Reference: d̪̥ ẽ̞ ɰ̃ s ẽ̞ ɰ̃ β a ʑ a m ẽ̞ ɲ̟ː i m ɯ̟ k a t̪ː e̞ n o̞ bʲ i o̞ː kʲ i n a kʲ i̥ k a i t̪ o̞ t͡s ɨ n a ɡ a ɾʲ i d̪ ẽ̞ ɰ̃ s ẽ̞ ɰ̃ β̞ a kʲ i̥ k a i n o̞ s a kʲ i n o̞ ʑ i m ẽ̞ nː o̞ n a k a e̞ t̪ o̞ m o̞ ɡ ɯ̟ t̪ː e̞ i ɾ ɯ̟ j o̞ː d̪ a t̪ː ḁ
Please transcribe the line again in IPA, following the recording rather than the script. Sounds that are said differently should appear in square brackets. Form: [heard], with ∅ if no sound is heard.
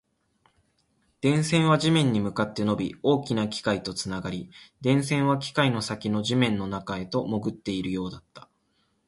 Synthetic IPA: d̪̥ ẽ̞ ɰ̃ s ẽ̞ ɰ̃ β a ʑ [i] m ẽ̞ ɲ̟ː i m ɯ̟ k a t̪ː e̞ n o̞ bʲ i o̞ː kʲ i n a kʲ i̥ k a i t̪ o̞ t͡s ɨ n a ɡ a ɾʲ i d̪ ẽ̞ ɰ̃ s ẽ̞ ɰ̃ β̞ a kʲ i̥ k a i n o̞ s a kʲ i n o̞ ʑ i m ẽ̞ nː o̞ n a k a e̞ t̪ o̞ m o̞ ɡ ɯ̟ t̪ː e̞ i ɾ ɯ̟ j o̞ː d̪ a t̪ː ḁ